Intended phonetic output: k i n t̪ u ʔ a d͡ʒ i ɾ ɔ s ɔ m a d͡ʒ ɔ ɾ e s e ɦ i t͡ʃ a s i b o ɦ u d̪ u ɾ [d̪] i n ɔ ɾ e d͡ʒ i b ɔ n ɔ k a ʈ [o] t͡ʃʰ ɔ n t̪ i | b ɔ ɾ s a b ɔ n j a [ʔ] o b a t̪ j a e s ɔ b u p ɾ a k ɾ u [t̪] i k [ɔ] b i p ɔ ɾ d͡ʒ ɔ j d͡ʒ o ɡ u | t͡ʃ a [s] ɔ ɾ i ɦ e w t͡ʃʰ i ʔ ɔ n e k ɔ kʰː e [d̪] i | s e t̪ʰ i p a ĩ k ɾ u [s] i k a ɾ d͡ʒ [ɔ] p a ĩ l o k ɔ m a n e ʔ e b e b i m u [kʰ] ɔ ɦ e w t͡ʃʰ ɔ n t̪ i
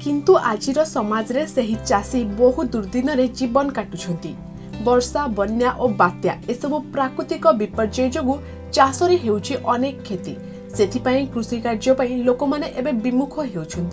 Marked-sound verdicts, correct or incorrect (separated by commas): correct, incorrect, correct, correct, correct, correct, incorrect, correct, correct, correct